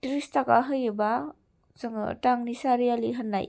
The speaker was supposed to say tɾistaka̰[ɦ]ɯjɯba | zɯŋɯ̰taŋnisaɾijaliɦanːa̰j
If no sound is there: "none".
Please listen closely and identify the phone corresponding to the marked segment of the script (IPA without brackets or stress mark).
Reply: ɦ